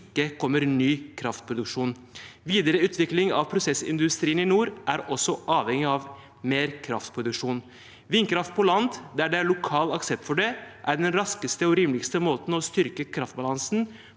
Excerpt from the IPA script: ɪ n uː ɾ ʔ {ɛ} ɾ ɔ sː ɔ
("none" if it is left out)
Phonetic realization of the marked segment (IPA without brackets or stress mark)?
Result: æ